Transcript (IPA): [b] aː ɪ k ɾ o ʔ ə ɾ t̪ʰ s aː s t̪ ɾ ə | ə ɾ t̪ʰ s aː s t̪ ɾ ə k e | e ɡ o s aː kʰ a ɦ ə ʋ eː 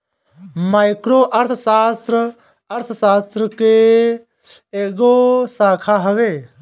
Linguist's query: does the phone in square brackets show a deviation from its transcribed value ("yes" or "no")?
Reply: yes